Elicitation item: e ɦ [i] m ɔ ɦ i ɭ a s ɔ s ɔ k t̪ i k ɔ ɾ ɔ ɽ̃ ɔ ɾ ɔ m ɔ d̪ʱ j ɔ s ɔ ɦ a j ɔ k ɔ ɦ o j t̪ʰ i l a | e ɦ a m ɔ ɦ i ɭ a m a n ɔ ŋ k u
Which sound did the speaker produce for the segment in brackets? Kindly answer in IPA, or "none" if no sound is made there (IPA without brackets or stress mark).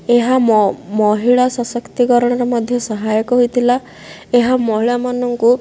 a